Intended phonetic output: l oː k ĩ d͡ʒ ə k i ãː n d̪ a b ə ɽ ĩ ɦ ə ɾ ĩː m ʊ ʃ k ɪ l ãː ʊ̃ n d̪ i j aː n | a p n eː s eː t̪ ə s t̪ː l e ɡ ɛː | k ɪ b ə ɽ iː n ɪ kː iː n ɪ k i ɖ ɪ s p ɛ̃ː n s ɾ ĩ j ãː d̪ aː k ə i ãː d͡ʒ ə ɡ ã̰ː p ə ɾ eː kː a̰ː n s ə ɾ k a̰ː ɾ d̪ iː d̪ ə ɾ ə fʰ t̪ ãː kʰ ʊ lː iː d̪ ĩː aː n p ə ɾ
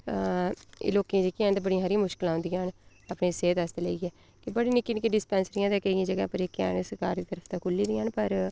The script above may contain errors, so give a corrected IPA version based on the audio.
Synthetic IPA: l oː k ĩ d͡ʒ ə k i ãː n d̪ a b ə ɽ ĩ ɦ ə ɾ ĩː m ʊ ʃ k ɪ l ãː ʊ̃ n d̪ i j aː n | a p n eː s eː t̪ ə s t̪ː l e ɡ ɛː | k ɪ b ə ɽ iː n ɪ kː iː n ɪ k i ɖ ɪ s p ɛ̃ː n s ɾ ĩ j ãː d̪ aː k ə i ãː d͡ʒ ə ɡ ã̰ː p ə ɾ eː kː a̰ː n s ə ɾ k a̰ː ɾ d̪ iː t̪ ə ɾ ə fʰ t̪ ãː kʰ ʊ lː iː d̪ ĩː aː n p ə ɾ